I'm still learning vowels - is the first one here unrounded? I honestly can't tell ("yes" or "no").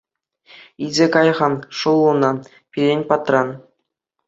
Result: yes